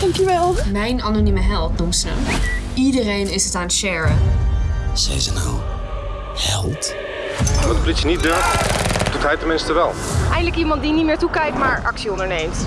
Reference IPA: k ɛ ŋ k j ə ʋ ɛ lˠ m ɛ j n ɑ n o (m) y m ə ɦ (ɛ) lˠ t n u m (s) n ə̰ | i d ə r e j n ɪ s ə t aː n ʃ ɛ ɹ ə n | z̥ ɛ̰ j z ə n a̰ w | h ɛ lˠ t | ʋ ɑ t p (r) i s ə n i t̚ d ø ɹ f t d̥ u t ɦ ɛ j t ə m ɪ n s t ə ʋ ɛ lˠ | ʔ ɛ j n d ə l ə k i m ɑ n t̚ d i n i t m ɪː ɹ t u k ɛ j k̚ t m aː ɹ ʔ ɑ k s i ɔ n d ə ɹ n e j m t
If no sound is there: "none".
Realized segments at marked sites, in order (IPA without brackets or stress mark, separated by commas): n, ɛ, s, l